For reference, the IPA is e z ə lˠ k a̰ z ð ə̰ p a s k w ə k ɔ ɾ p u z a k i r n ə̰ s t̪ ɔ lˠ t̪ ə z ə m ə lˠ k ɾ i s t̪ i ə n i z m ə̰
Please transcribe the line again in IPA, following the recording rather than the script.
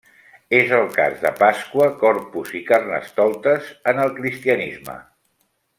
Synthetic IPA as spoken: e z ə lˠ k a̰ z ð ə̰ p a s k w ə k ɔ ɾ p u z i k a r n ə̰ s t̪ ɔ lˠ t̪ ə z ə n ə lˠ k ɾ i s t̪ i ə n i z m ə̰